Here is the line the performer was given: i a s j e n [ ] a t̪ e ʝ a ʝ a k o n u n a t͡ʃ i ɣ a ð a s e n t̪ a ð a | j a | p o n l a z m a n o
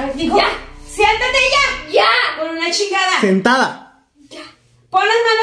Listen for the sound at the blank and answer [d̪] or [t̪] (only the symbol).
t̪